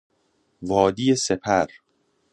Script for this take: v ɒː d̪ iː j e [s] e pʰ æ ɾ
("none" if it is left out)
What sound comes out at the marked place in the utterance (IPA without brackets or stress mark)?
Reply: s